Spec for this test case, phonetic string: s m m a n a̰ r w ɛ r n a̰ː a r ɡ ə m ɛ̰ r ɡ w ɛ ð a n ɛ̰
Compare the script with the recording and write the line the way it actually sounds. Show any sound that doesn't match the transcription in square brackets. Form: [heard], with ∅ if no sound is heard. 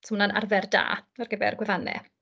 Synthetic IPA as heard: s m [n] a n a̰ r [v] ɛ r [d] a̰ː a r ɡ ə [b] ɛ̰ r ɡ w ɛ [v] a n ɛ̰